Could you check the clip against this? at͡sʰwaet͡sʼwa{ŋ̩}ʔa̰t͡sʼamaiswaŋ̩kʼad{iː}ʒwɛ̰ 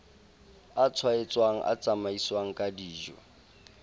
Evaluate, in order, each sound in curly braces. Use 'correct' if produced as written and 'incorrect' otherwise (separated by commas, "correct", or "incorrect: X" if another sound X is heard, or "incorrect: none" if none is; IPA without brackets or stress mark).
correct, correct